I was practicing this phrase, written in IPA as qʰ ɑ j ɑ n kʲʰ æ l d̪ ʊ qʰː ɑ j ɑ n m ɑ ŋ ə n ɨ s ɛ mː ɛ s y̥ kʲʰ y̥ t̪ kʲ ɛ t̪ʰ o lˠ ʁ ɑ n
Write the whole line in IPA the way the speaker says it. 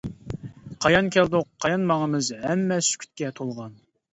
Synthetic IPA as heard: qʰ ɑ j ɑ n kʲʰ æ l d̪ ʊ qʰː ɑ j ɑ n m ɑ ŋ ə m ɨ z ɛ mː ɛ s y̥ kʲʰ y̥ t̪ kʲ ɛ t̪ʰ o lˠ ʁ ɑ n